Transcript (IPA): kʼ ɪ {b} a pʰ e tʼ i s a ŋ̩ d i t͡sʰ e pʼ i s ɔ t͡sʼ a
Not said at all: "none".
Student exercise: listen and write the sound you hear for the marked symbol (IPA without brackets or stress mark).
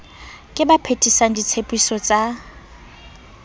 b